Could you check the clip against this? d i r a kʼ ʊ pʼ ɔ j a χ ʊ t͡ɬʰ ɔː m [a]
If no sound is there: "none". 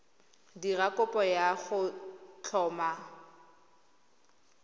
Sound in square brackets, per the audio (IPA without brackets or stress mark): a